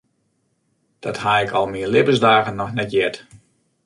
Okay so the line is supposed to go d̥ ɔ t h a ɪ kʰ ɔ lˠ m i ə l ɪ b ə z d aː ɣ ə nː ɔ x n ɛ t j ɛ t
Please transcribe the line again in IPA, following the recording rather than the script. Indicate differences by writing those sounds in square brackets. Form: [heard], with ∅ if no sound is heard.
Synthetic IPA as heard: d̥ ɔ t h a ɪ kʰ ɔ lˠ m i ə l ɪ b ə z d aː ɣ ə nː ɔ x n ɛ t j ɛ t